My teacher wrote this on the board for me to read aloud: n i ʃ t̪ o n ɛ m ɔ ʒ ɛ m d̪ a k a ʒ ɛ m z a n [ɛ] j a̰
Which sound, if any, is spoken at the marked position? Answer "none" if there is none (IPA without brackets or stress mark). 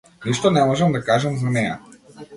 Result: ɛ